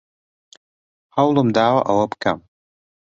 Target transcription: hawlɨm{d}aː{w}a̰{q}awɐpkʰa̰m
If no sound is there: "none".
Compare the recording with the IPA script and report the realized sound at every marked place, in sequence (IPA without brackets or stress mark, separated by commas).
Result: d, w, ʔ